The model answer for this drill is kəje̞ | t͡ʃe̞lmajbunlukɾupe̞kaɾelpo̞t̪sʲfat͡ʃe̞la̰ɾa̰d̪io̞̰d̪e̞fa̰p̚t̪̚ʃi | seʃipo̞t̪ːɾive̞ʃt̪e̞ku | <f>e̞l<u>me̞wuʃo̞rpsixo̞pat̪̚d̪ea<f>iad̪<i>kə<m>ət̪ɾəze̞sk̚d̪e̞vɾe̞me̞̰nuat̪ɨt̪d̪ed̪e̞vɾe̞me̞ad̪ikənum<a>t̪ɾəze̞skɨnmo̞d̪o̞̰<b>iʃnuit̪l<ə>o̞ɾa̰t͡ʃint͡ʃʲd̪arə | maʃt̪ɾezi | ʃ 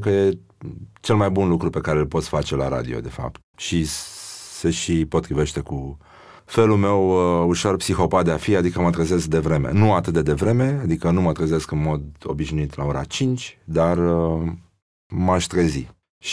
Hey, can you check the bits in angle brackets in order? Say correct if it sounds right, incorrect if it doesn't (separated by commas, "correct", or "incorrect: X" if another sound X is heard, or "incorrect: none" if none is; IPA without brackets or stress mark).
correct, correct, correct, correct, correct, incorrect: ə, correct, incorrect: a